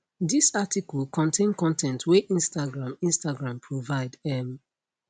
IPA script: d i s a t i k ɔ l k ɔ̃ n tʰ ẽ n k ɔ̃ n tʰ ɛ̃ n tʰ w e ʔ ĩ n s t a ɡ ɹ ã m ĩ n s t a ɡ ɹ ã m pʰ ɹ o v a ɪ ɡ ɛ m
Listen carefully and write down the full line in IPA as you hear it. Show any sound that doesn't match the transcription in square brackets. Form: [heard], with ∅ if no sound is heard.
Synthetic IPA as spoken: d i s a t i k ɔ l k ɔ̃ n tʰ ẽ n k ɔ̃ n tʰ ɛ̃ n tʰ w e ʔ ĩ n s t a ɡ ɹ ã m ĩ n s t a ɡ ɹ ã m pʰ ɹ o v a ɪ [d] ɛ m